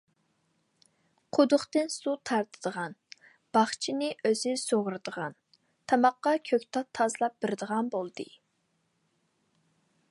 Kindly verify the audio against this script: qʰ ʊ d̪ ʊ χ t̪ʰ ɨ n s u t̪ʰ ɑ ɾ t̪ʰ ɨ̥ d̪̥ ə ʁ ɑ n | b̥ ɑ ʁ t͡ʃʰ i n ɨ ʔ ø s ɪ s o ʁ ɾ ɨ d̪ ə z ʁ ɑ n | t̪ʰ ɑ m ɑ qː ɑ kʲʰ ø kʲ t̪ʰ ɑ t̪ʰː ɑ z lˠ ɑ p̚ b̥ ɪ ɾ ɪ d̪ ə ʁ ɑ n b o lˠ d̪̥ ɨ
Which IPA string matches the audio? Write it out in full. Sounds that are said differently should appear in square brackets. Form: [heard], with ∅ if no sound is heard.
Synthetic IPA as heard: qʰ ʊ d̪ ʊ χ [t̪] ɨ n s u t̪ʰ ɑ ɾ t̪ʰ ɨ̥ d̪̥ ə ʁ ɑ n | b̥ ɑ [χ] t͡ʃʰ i n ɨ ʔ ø [z] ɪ s o ʁ ɾ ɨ d̪ ə [∅] ʁ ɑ n | t̪ʰ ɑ m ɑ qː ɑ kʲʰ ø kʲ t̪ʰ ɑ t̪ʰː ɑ z lˠ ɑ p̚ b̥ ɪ ɾ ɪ d̪ ə ʁ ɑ n b o lˠ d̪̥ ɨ